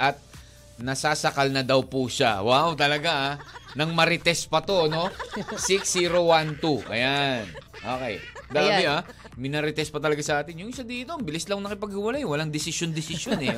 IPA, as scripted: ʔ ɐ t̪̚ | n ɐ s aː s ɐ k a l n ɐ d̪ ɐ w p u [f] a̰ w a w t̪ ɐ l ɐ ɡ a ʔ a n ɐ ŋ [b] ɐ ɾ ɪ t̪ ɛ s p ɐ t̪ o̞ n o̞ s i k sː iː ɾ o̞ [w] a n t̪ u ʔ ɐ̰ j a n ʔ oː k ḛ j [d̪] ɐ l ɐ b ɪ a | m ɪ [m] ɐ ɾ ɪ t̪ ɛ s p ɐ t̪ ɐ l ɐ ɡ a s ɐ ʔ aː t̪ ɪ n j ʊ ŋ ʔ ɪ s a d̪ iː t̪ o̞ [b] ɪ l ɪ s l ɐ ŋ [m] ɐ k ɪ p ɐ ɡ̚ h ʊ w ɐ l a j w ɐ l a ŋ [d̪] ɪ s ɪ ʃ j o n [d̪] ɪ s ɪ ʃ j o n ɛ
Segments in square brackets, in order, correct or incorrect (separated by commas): incorrect, incorrect, correct, correct, incorrect, correct, incorrect, correct, correct